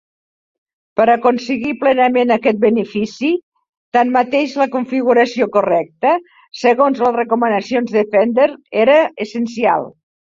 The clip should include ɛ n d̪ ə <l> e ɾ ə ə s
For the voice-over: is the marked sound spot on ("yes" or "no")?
no